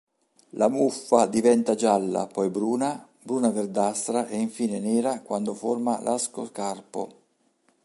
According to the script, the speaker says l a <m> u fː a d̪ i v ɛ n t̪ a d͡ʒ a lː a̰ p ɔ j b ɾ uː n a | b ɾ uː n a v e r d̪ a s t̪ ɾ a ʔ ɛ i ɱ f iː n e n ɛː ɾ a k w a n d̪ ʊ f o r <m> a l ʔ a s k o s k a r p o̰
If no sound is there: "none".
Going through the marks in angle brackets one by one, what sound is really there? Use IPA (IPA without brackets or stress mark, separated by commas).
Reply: m, m